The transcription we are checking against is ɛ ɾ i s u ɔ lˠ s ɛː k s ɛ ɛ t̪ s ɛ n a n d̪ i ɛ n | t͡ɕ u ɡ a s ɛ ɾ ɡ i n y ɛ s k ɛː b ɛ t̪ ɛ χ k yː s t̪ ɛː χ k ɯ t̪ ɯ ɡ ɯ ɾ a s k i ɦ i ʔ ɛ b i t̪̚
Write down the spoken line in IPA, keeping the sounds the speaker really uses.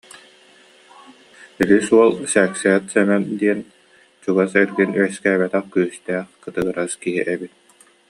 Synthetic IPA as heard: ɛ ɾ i s u ɔ lˠ s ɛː k s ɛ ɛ t̪ s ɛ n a n d̪ i ɛ n | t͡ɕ u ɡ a s ɛ ɾ ɡ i n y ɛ s k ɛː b ɛ t̪ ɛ χ k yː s t̪ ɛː χ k ɯ t̪ ɯ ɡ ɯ ɾ a s k i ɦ i ʔ ɛ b i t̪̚